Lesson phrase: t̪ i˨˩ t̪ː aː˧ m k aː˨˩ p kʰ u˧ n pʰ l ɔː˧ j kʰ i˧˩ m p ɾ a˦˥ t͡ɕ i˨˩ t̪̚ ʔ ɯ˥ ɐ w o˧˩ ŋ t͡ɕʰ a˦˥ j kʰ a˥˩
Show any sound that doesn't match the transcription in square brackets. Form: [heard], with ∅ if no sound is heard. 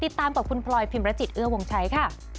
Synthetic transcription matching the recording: t̪ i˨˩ t̪ː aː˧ m k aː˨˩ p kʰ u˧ n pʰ l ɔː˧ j [pʰ] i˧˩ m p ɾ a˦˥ t͡ɕ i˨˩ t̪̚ ʔ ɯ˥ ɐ w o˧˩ ŋ t͡ɕʰ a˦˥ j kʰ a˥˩

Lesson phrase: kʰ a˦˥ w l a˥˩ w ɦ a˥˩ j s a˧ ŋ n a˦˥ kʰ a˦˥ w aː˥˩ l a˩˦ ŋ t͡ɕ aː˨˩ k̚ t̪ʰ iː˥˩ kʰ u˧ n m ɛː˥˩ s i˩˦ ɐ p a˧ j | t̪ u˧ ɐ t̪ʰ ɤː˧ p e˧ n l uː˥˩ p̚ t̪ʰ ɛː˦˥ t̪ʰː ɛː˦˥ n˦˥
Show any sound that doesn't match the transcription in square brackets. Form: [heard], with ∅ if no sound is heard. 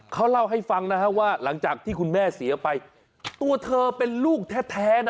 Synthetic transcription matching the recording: kʰ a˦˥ w l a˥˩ w ɦ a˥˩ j [f] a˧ ŋ n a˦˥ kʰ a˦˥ w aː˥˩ l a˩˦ ŋ t͡ɕ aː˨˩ k̚ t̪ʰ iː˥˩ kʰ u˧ n m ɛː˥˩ s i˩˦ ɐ p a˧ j | t̪ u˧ ɐ t̪ʰ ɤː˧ p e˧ n l uː˥˩ [k̚] t̪ʰ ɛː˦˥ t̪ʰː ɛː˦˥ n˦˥

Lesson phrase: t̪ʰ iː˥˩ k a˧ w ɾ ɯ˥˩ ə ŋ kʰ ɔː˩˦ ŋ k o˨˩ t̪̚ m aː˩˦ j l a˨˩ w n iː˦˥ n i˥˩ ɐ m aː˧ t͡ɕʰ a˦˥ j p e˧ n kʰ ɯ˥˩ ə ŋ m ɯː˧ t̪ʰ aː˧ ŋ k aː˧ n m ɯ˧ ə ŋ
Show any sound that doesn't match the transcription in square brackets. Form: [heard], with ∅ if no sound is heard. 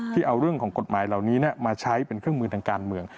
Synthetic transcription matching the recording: t̪ʰ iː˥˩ [ʔ] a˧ w ɾ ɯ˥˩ ə ŋ kʰ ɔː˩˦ ŋ k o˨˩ t̪̚ m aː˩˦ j l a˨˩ w n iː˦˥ n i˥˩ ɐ m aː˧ t͡ɕʰ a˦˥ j p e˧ n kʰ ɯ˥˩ ə ŋ m ɯː˧ t̪ʰ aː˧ ŋ k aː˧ n m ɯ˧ ə ŋ

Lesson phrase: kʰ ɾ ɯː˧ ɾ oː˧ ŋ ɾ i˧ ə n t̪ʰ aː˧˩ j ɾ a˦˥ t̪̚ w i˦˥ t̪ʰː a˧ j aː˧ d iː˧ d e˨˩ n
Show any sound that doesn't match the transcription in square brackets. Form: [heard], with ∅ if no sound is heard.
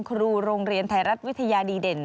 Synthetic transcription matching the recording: kʰ ɾ [uː˧] ɾ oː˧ ŋ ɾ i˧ ə n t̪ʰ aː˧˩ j ɾ a˦˥ t̪̚ w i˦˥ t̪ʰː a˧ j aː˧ d iː˧ d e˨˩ n

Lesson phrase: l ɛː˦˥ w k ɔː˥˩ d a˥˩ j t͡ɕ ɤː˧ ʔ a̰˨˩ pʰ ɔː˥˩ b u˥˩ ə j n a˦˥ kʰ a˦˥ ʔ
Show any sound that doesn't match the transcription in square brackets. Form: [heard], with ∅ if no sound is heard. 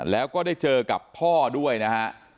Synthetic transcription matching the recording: l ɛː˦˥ w k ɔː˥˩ d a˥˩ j t͡ɕ ɤː˧ [k] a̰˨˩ pʰ ɔː˥˩ [d] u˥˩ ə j n a˦˥ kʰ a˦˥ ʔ

